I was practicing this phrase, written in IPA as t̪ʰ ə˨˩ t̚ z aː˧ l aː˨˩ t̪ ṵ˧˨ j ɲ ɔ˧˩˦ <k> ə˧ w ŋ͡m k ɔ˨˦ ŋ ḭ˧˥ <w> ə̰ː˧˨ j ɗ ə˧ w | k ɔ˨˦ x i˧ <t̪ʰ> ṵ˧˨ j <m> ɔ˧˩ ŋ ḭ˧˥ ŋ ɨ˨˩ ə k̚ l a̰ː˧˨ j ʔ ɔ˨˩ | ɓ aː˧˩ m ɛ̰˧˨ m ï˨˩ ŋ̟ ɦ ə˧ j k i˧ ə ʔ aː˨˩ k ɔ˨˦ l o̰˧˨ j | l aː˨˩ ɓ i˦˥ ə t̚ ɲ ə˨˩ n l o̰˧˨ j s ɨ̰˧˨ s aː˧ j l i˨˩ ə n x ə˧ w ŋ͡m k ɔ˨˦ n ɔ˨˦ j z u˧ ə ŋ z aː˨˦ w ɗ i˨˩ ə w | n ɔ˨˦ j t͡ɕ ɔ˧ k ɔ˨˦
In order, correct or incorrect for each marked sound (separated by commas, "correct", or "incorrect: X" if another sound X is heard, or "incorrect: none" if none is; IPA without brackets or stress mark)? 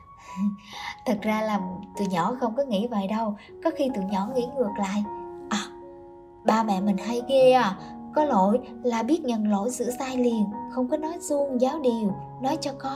incorrect: x, incorrect: v, incorrect: t̪, incorrect: ɲ